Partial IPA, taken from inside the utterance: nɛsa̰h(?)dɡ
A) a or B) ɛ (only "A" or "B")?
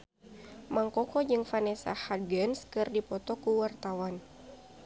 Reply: A